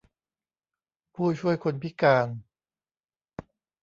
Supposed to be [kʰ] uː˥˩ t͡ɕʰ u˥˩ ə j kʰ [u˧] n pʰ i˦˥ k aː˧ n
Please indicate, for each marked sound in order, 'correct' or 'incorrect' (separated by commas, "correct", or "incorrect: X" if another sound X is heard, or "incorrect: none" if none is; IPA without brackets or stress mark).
incorrect: pʰ, incorrect: o˧